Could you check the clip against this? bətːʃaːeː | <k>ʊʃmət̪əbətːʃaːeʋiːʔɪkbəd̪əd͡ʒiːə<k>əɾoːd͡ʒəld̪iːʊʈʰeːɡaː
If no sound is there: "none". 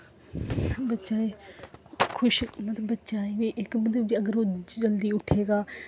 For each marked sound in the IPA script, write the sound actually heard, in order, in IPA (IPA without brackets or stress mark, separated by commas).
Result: kʰ, ɡ